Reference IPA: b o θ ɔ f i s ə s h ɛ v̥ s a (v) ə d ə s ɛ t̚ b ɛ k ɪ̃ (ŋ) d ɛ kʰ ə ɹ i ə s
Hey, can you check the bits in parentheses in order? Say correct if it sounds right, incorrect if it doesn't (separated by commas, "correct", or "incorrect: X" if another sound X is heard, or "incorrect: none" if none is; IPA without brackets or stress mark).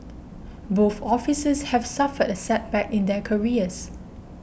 incorrect: f, incorrect: n